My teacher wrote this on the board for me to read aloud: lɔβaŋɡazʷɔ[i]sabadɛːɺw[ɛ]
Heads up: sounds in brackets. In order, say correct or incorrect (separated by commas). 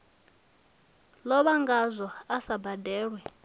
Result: incorrect, correct